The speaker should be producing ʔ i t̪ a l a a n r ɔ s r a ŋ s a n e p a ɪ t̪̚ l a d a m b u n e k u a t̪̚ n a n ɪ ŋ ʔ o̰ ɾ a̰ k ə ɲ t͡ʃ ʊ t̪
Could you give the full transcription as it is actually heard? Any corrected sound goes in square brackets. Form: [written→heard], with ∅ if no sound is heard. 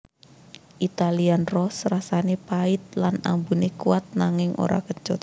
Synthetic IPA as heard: ʔ i t̪ a l [a→i] a n r ɔ s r a [ŋ→∅] s a n e p a ɪ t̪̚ l a [d→n] a m b u n e k u a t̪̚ n a [n→ŋ] ɪ ŋ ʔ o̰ ɾ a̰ k ə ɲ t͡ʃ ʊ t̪